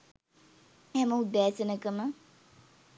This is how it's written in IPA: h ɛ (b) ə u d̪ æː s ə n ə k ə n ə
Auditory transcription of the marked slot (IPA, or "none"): m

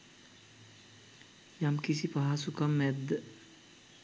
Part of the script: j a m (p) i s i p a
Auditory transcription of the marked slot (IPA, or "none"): k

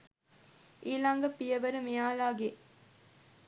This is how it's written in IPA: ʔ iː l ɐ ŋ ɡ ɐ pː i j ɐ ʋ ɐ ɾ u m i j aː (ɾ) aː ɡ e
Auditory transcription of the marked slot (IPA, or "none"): l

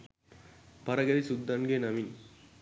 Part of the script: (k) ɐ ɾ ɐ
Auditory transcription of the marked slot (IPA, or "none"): p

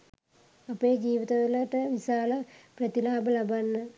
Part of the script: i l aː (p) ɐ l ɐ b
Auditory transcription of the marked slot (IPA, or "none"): b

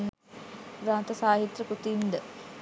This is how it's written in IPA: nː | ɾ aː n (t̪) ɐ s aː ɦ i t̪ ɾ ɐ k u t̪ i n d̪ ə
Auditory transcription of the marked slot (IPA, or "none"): t̪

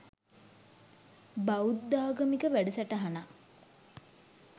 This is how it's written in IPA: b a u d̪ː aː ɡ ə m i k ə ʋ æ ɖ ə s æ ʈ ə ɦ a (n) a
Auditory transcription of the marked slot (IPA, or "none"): n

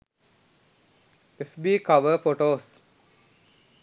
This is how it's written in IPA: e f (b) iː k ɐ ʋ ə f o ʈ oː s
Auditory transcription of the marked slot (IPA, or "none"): b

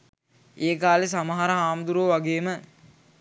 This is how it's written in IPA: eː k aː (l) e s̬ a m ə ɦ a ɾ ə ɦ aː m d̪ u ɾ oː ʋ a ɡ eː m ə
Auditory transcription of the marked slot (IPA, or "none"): l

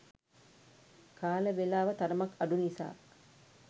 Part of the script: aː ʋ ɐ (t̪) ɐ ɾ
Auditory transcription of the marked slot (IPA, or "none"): t̪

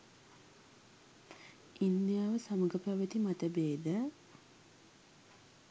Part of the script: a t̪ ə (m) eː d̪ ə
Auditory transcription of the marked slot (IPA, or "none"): b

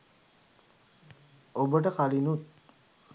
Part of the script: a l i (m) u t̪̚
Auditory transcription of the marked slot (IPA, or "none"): n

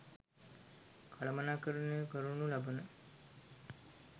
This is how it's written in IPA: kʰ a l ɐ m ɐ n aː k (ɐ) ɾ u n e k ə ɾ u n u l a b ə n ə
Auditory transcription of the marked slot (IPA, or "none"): ə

